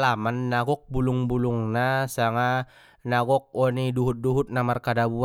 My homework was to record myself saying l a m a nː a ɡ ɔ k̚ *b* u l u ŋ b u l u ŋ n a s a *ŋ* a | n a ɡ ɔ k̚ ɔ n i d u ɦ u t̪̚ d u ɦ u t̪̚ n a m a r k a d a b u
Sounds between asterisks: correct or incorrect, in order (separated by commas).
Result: correct, correct